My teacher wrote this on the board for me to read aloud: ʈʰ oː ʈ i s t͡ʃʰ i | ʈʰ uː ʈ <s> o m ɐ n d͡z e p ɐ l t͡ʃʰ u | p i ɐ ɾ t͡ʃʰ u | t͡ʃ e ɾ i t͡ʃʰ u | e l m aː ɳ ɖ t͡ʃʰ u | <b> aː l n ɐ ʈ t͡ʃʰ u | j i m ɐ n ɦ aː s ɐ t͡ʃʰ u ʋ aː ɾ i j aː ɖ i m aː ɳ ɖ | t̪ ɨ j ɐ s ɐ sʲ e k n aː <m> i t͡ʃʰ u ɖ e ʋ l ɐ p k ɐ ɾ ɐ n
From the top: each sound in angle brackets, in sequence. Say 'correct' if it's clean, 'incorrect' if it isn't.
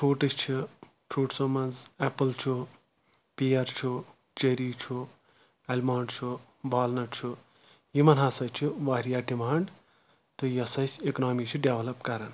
correct, correct, correct

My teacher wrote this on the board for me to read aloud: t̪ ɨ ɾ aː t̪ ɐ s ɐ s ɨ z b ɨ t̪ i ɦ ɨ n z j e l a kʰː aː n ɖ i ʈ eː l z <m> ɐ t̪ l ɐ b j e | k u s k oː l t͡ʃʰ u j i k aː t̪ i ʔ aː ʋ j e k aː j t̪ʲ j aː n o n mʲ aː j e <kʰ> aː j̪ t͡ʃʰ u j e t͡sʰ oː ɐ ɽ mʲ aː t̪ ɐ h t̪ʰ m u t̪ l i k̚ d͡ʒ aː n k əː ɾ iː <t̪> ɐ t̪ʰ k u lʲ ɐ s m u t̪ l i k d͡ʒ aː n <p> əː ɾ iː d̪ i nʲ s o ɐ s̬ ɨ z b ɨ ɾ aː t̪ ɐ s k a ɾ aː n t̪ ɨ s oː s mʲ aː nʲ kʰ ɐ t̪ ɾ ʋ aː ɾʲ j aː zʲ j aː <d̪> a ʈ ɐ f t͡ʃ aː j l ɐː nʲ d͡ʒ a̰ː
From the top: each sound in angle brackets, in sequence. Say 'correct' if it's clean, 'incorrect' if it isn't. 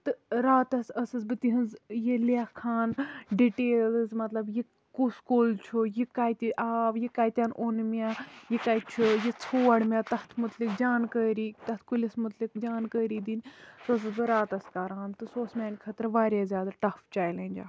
correct, incorrect: k, correct, incorrect: k, correct

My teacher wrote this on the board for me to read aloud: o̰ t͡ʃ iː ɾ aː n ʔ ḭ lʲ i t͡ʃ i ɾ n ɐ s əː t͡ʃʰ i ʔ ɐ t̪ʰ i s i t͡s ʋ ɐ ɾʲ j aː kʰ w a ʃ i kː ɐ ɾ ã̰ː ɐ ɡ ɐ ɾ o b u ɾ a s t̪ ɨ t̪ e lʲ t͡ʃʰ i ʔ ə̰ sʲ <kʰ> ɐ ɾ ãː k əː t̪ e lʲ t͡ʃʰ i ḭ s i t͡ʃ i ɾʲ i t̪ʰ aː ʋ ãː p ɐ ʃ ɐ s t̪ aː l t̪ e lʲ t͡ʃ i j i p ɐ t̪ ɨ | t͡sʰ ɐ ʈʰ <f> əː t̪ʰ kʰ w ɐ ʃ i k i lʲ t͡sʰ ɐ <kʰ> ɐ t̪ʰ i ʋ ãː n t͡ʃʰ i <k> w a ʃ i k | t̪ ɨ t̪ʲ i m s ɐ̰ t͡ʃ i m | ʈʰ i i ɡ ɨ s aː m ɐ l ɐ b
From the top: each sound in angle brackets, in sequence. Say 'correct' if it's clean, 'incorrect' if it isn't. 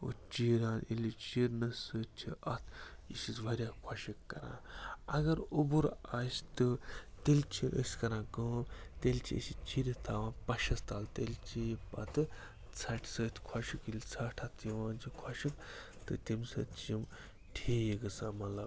incorrect: k, incorrect: s, incorrect: ʈʰ, incorrect: kʰ

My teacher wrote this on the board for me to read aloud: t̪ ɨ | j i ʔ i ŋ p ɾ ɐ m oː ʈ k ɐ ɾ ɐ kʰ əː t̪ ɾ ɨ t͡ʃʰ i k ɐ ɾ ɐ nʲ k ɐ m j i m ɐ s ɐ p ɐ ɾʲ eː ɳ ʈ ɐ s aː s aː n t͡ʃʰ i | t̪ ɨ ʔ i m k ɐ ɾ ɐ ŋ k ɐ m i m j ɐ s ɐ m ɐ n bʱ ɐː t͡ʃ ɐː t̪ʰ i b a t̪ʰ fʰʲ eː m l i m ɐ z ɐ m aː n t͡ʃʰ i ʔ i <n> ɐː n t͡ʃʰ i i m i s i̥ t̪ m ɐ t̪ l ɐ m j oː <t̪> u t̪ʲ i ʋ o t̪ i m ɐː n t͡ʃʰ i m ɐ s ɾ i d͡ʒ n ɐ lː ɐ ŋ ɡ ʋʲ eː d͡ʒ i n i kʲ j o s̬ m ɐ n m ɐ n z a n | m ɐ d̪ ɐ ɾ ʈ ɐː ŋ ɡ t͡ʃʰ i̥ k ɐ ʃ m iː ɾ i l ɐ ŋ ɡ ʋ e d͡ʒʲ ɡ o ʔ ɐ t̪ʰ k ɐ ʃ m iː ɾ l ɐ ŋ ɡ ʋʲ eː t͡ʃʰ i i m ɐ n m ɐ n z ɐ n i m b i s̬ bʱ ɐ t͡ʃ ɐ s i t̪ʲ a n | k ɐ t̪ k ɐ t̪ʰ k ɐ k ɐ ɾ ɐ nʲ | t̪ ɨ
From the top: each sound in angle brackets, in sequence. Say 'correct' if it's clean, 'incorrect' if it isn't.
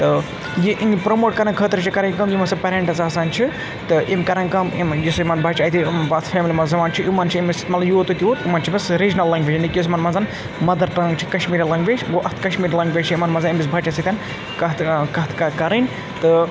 incorrect: m, correct

